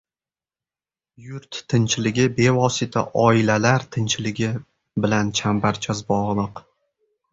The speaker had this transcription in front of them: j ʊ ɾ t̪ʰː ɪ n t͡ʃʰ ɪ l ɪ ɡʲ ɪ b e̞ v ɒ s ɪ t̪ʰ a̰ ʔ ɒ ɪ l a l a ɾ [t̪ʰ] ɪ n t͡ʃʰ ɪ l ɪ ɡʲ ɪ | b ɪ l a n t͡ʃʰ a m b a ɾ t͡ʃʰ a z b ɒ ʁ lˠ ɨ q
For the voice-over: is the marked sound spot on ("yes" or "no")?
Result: yes